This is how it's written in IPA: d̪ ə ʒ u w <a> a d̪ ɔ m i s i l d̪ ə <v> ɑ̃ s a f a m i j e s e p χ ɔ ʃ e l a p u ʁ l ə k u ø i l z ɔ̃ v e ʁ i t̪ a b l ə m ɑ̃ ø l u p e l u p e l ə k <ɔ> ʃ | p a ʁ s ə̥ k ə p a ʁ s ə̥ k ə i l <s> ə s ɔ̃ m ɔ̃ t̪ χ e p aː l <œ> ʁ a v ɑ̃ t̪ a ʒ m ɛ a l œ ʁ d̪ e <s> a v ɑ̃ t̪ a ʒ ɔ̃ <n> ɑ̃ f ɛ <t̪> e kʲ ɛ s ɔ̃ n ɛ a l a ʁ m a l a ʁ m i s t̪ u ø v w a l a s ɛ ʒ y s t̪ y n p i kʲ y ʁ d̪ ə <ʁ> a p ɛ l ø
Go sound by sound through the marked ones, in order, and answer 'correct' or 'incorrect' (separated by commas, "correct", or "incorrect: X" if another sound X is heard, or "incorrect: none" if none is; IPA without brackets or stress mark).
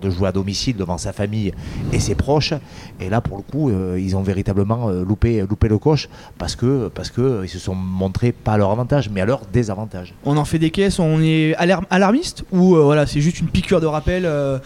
incorrect: e, correct, correct, correct, correct, incorrect: z, correct, incorrect: d̪, correct